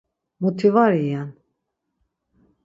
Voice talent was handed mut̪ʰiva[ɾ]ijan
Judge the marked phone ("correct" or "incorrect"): correct